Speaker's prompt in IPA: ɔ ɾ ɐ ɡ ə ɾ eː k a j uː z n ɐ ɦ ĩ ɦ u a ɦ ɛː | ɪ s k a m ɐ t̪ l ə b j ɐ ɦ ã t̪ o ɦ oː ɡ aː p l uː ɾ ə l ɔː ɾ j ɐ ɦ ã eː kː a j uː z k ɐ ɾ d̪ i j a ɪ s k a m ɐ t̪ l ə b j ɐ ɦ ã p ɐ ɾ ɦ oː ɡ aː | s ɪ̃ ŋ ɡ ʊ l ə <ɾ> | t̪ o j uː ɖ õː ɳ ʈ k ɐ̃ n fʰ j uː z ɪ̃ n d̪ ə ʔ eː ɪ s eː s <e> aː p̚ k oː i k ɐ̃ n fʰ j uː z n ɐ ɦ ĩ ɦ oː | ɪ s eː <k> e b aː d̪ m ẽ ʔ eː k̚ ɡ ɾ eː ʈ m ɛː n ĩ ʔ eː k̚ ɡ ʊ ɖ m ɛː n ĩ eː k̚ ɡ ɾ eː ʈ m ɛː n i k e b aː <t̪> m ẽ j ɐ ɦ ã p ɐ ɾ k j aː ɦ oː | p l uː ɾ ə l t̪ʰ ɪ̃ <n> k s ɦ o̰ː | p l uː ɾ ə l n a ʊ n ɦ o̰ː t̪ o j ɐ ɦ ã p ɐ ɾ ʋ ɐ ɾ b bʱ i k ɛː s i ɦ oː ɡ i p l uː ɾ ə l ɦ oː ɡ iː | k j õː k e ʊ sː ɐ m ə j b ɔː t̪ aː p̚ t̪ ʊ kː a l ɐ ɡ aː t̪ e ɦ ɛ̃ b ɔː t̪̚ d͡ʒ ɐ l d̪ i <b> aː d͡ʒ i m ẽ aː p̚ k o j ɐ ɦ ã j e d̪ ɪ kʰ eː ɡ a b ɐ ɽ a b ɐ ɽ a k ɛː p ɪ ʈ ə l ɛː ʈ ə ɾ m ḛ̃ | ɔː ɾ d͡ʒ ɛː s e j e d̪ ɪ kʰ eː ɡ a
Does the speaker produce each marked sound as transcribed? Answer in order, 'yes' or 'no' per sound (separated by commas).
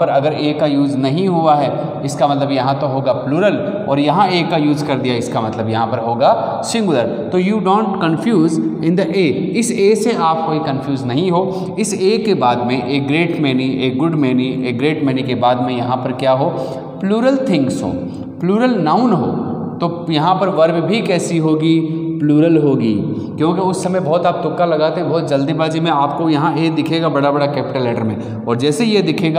yes, yes, yes, no, no, yes